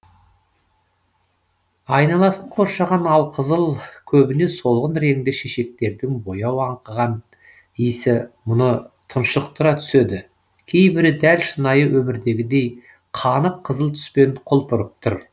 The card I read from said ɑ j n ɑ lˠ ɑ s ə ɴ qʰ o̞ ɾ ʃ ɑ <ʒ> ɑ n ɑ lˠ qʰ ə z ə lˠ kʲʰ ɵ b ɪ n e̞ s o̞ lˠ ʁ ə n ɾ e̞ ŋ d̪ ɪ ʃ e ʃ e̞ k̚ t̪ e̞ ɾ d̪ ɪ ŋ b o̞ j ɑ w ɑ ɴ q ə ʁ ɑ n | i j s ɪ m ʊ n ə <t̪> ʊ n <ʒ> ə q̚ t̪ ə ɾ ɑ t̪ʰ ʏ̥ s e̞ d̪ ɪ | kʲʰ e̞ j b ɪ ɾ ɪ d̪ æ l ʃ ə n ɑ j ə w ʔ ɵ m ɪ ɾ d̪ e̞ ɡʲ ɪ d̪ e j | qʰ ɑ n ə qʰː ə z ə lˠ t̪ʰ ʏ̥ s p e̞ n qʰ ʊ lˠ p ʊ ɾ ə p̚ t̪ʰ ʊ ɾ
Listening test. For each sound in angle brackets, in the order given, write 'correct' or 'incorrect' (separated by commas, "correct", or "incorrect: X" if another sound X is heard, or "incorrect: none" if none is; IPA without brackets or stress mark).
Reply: incorrect: ʁ, incorrect: t̪ʰ, incorrect: ʃ